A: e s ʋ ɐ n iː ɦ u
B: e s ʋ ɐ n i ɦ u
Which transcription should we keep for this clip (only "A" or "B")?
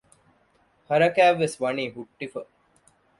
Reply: A